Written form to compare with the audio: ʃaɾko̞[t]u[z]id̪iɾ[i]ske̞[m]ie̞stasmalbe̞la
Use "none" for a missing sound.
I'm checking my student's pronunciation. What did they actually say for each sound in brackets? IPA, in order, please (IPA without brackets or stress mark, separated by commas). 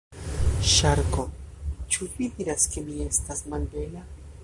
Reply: t͡ʃ, v, a, m